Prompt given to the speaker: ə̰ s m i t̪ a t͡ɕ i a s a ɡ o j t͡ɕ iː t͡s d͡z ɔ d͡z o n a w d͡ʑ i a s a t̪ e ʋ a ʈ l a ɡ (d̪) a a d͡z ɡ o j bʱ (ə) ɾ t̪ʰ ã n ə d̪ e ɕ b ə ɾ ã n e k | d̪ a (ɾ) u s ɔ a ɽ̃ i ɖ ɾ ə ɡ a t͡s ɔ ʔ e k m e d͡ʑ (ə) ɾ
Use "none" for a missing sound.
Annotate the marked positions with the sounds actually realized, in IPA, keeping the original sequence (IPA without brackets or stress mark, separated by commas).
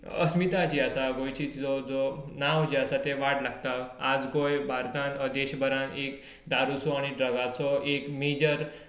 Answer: t̪, a, ɾ, ə